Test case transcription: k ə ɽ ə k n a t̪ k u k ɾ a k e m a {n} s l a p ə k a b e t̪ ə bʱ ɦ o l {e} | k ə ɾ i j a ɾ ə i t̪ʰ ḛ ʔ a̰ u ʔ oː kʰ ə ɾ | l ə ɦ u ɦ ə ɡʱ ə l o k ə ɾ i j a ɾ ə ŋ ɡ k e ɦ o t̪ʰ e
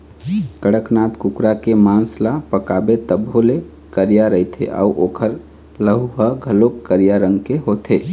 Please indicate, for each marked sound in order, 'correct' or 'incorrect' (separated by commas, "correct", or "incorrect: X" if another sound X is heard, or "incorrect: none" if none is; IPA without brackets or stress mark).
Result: correct, correct